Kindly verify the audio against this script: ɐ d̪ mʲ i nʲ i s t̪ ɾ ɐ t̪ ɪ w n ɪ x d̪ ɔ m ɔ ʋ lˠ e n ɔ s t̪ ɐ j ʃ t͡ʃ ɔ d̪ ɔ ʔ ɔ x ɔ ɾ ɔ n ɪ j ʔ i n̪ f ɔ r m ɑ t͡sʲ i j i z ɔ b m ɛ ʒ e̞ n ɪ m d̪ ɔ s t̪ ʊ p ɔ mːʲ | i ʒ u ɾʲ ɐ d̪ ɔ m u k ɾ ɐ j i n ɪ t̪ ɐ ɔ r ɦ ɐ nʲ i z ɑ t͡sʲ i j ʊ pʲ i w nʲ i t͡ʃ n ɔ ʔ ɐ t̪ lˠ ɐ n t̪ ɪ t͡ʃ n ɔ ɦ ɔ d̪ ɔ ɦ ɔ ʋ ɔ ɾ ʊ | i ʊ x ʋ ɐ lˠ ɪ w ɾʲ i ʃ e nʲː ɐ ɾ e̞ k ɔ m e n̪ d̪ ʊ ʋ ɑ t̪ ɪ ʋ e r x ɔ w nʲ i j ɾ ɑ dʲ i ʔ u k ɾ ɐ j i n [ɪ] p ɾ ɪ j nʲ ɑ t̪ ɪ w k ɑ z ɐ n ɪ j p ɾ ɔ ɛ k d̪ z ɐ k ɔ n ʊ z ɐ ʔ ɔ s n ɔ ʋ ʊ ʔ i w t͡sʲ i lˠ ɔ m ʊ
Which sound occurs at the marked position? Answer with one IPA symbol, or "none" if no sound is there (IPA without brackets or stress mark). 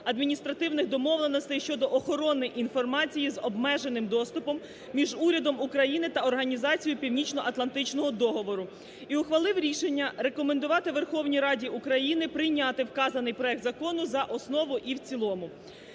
ɪ